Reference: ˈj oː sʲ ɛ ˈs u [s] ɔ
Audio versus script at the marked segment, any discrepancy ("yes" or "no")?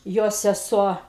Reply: yes